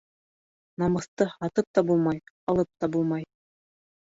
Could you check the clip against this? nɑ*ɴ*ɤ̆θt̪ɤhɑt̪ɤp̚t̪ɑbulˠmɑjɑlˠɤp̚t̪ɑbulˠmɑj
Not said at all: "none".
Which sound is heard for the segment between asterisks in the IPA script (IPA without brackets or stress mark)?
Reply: m